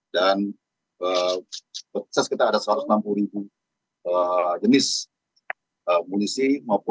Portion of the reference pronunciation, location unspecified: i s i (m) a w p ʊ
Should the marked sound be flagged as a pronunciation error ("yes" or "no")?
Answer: no